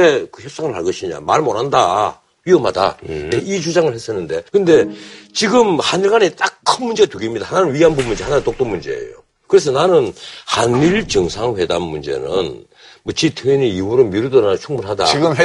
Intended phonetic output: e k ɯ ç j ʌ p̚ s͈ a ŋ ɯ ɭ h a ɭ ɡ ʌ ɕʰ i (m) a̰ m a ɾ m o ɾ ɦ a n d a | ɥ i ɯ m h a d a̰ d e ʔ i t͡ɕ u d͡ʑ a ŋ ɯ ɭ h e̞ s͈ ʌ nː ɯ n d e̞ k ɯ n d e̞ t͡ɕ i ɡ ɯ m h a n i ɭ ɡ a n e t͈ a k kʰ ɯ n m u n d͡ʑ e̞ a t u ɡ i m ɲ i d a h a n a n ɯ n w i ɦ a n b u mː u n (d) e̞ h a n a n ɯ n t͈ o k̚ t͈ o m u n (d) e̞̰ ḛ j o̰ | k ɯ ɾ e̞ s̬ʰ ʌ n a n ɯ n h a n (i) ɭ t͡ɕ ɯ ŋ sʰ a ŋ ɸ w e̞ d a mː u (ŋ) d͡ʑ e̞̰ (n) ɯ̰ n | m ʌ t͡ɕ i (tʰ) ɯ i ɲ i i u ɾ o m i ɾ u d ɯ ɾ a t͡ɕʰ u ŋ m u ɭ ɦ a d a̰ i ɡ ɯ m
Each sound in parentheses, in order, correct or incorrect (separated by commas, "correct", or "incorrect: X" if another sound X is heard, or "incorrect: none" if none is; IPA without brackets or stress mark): incorrect: ɲ, incorrect: d͡ʑ, incorrect: d͡ʑ, correct, incorrect: n, correct, correct